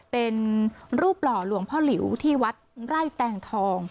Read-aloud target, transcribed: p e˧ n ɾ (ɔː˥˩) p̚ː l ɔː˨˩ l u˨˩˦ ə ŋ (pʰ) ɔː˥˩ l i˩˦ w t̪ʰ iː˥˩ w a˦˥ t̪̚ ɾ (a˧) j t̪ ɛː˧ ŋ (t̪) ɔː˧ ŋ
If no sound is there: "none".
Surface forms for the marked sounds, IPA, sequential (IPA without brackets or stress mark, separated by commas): uː˥˩, pʰ, a˥˩, t̪ʰ